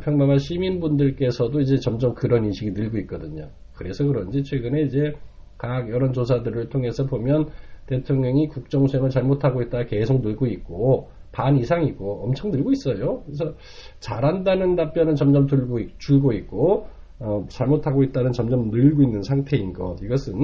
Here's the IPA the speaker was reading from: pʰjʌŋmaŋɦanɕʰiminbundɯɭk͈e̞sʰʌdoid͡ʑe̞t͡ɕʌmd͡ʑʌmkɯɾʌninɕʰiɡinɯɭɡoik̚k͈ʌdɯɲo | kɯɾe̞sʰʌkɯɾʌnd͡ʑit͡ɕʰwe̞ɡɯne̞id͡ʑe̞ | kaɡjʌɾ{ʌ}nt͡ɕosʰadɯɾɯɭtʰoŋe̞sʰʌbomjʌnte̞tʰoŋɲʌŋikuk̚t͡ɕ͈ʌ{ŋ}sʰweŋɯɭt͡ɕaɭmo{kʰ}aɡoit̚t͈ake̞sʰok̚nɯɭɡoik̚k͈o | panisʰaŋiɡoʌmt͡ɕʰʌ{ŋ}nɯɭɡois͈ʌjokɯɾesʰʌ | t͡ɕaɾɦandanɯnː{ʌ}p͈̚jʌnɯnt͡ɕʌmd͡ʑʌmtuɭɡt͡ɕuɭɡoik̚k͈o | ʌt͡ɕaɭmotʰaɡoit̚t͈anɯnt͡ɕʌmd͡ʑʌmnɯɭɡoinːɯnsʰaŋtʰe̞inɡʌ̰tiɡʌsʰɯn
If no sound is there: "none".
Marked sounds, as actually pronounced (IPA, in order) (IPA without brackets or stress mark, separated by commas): ʌ, ŋ, tʰ, ŋ, a